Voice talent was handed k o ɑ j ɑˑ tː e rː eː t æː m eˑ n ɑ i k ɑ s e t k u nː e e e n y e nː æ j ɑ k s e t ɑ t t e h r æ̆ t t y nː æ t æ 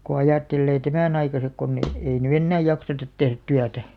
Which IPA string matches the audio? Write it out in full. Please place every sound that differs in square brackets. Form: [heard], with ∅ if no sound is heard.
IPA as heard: k o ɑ j ɑˑ tː e [lː] eː t [æ] m [æˑ] n ɑ i k ɑ s e [k] k [o] nː e e [i] n y e nː [æː] j ɑ k s e t ɑ t t e h r æ̆ t t y [∅] æ t æ